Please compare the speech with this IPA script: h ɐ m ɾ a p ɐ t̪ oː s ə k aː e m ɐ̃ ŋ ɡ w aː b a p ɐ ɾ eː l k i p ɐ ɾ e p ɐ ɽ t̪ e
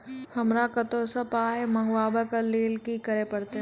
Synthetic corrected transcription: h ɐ m ɾ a k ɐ t̪ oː s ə p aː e m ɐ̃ ŋ ɡ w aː b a k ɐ l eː l k i k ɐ ɾ e p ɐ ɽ t̪ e